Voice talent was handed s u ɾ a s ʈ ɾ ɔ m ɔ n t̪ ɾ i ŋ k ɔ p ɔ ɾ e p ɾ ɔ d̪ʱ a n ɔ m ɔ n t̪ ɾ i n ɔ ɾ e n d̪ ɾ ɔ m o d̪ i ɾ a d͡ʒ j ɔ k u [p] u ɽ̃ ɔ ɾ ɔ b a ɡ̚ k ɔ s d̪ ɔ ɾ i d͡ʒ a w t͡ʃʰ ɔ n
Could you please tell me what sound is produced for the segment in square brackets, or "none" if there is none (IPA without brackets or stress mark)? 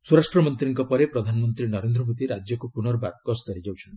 p